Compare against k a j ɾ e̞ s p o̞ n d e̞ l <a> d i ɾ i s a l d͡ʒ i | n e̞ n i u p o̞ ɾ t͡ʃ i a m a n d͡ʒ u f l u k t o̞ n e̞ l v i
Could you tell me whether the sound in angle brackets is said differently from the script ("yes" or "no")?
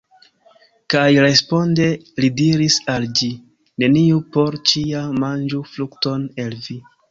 yes